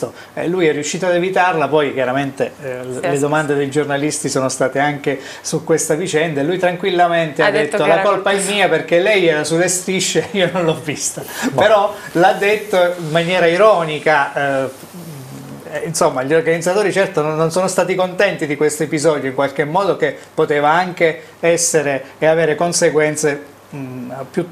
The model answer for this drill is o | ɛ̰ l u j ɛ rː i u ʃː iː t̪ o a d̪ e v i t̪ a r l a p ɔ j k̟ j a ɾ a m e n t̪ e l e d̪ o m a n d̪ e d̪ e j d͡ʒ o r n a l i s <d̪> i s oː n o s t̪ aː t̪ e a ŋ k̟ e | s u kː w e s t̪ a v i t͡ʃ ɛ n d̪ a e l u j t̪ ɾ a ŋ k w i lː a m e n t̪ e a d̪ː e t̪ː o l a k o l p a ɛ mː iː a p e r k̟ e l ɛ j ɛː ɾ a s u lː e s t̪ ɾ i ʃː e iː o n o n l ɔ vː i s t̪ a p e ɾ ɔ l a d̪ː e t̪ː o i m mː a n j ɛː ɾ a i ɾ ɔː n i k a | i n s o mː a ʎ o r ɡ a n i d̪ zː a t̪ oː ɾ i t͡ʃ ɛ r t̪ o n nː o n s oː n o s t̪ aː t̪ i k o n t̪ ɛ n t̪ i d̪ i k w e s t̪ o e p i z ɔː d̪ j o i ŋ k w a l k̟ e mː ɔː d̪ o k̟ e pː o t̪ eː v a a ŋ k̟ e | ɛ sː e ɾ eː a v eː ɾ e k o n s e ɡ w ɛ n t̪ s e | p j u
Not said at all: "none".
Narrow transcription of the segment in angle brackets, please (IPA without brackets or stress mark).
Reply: t̪